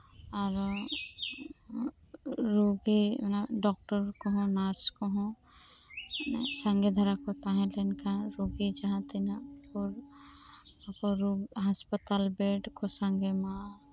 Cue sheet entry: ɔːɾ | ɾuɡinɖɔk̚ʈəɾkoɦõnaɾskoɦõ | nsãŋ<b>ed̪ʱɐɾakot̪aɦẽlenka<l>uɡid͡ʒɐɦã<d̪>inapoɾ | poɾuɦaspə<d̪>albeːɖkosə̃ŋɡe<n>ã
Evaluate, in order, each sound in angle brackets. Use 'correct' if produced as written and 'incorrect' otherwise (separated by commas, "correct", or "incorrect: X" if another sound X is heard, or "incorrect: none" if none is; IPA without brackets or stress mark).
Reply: incorrect: ɡ, incorrect: ɾ, incorrect: t̪, incorrect: t̪, incorrect: m